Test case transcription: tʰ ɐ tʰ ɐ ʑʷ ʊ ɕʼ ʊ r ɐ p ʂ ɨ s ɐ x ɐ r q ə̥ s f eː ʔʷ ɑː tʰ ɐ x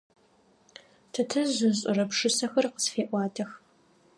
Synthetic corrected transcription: tʰ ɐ tʰ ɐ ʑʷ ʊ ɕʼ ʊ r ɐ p ʂ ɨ s ɐ x ɐ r q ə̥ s f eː ʔʷ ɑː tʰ ɐ x